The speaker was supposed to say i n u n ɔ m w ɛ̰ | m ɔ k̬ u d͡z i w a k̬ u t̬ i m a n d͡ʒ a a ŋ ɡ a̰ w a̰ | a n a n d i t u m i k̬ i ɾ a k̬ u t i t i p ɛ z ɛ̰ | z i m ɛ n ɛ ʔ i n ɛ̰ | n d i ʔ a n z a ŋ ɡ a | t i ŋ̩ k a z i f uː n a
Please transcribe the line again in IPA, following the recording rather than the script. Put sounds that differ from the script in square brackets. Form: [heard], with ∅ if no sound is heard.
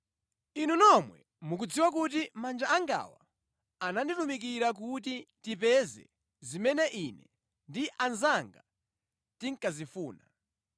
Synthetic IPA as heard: i n u n ɔ m w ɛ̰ | m [u] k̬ u d͡z i w a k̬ u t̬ i m a n d͡ʒ a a ŋ ɡ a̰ w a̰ | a n a n d i t u m i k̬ i ɾ a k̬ u t i t i p ɛ z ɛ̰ | z i m ɛ n ɛ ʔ i n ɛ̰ | n d i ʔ a n z a ŋ ɡ a | t i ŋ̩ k a z i f uː n a